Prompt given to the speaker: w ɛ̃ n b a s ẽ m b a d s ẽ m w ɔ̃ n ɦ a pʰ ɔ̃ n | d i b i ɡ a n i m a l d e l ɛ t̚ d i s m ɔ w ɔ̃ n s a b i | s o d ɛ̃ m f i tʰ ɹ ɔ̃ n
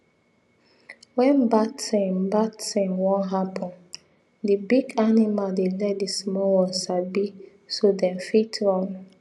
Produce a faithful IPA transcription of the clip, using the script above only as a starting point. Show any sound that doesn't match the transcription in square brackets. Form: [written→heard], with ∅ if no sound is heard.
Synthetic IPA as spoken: w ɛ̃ n b a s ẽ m b a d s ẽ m w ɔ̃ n ɦ a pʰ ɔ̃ n | d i b i ɡ a n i m a l d e l ɛ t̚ d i s m ɔ w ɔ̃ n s a b i | s o d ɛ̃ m f i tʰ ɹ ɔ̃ n